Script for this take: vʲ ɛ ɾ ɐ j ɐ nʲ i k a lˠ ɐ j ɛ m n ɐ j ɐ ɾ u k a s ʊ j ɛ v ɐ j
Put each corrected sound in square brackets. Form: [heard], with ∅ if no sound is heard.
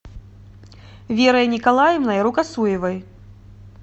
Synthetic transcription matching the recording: vʲ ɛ ɾ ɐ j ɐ nʲ i k a lˠ [a] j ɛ m n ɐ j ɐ ɾ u k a s [u] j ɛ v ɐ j